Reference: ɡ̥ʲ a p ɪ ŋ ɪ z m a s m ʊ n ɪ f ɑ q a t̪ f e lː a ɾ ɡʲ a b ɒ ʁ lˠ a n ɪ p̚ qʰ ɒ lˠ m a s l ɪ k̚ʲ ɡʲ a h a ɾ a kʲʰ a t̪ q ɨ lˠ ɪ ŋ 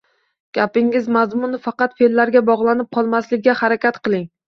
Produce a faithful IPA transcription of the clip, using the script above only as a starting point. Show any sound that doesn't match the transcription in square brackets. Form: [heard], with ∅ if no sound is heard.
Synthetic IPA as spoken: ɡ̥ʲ a p ɪ ŋ ɪ z m a [z] m ʊ n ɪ f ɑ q [ɑ] t̪ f e lː a ɾ ɡʲ a b ɒ ʁ lˠ a n ɪ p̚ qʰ ɒ lˠ m a s l ɪ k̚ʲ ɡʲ a h a ɾ a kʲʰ a t̪ q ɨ lˠ ɪ ŋ